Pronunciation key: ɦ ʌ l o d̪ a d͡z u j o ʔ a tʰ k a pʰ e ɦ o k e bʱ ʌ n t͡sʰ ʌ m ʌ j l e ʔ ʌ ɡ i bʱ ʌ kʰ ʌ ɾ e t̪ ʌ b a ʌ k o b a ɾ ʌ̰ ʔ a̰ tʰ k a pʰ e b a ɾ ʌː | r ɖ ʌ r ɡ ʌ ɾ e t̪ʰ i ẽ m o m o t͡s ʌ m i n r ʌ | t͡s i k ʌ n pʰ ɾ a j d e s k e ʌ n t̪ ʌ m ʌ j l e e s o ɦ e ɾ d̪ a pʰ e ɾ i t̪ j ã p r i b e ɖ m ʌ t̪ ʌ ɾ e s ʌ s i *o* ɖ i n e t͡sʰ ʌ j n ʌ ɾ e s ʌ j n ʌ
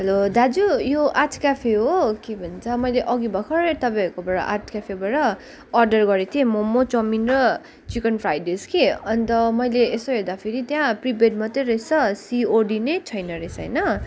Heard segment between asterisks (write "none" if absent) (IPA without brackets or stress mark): o